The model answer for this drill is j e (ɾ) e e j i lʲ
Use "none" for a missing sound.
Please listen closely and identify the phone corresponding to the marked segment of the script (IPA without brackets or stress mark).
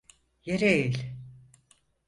ɾ